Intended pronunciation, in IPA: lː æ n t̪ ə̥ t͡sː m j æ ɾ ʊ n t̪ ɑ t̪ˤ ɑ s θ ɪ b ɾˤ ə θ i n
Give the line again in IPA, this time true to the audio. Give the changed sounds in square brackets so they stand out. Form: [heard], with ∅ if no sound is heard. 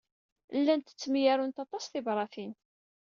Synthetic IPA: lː æ n t̪ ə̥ t͡sː m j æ ɾ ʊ n t̪ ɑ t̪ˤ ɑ s θ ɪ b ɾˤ [ɑ] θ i n